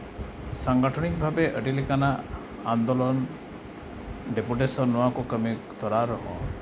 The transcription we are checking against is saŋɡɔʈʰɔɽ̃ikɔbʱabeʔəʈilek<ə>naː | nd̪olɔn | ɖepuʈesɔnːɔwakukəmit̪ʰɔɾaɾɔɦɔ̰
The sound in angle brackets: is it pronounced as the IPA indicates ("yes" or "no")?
no